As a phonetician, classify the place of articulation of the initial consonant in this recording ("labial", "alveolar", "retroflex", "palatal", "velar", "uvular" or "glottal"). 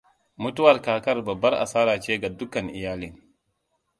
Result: labial